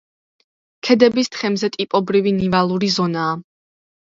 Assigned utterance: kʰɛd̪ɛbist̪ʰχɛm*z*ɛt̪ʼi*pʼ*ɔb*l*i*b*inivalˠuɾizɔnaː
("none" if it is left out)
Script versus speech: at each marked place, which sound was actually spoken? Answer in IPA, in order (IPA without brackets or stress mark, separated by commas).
z, pʼ, ɾ, v